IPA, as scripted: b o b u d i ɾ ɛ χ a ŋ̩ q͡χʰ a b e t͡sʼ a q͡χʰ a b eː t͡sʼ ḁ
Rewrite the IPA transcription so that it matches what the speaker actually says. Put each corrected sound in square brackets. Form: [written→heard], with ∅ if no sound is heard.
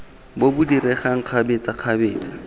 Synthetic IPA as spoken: b o b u d i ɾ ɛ χ a ŋ̩ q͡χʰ a b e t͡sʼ a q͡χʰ a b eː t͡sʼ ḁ